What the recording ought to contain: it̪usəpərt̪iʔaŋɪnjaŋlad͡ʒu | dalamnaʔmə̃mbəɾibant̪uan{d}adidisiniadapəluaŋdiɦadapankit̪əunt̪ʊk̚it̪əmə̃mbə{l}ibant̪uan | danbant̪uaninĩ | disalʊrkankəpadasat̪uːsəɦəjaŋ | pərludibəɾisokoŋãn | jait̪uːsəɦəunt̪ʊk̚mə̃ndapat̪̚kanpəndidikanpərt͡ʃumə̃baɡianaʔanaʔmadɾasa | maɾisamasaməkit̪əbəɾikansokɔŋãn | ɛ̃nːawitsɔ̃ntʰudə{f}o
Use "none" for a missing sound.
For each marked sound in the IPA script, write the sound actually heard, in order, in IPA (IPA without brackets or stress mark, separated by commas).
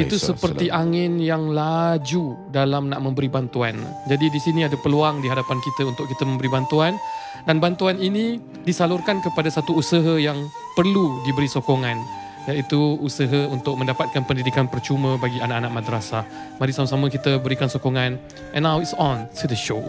d͡ʒ, ɾ, ʃ